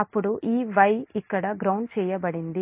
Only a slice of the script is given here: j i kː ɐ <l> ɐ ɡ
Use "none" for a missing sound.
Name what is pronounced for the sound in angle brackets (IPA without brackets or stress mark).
ɽ